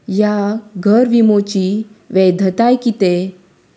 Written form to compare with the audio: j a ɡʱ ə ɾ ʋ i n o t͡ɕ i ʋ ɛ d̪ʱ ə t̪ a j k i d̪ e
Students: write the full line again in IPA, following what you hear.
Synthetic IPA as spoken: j a ɡʱ ə ɾ ʋ i m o t͡ɕ i ʋ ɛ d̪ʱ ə t̪ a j k i t̪ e

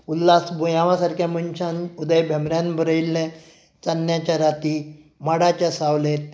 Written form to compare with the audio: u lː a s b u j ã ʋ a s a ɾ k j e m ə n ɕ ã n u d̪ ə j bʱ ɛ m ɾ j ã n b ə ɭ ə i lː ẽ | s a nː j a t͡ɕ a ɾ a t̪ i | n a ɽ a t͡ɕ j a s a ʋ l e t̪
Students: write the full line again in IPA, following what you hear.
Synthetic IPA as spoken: u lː a s b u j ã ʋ a s a ɾ k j a m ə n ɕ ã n u d̪ ə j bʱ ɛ m ɾ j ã n b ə ɾ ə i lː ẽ | t͡s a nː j a t͡ɕ a ɾ a t̪ i | m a ɽ a t͡ɕ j a s a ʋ l e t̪

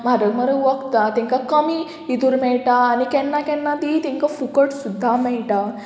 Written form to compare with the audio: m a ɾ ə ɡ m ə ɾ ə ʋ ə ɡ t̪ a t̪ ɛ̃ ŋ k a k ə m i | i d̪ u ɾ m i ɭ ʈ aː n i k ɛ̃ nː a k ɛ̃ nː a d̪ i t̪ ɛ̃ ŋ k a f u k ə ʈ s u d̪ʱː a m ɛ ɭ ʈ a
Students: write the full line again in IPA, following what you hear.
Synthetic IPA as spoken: m a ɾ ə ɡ m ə ɾ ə ʋ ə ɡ t̪ a t̪ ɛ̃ ŋ k a k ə m i | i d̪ u ɾ m ɛ ɭ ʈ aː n i k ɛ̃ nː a k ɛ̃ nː a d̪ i t̪ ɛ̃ ŋ k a f u k ə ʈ s u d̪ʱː a m ɛ ɭ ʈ a

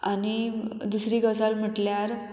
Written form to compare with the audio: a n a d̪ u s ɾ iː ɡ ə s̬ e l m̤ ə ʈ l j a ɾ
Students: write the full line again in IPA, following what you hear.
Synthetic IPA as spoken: a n i d̪ u s ɾ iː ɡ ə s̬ a l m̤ ə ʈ l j a ɾ

